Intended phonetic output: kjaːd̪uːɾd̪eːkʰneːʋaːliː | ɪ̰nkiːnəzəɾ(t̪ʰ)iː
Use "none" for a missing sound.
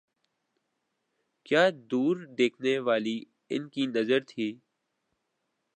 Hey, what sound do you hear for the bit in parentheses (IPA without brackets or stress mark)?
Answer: t̪ʰ